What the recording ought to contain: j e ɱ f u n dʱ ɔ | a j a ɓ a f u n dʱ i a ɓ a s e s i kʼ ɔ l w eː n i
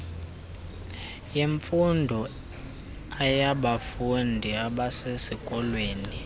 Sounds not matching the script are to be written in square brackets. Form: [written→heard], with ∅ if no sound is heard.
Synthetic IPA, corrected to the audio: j e ɱ f u n dʱ ɔ | a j a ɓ a f u n dʱ i a ɓ a s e s i kʼ ɔ l w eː n i